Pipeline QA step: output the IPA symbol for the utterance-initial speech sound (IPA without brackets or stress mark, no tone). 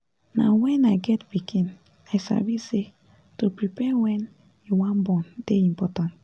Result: n